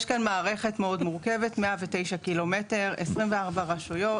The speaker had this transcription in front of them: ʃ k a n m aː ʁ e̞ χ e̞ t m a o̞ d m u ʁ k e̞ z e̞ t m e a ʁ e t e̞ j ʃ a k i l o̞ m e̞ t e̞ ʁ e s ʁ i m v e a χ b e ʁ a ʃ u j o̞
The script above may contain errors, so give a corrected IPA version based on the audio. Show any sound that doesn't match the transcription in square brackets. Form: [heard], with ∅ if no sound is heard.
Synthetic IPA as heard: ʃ k a n m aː ʁ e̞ χ e̞ t m [e] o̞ d m u ʁ k e̞ [v] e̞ t m e a [v] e t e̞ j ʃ a k i l o̞ m e̞ t e̞ ʁ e s ʁ i m v e a [ʁ] b [a] ʁ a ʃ u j o̞